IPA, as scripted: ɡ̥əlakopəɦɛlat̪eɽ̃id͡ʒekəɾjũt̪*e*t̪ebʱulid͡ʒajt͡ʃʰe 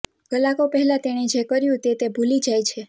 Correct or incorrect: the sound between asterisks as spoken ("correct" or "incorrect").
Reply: correct